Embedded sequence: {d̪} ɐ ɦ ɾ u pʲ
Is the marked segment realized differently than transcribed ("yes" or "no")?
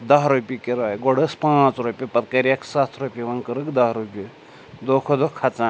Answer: no